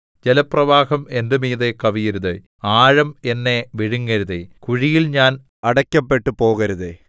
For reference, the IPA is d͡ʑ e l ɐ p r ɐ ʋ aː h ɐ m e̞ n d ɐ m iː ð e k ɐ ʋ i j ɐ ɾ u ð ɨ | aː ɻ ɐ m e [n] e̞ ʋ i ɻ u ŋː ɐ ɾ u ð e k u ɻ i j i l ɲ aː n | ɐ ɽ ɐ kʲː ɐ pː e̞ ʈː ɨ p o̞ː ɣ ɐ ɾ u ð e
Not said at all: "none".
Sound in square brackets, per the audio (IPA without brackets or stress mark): nː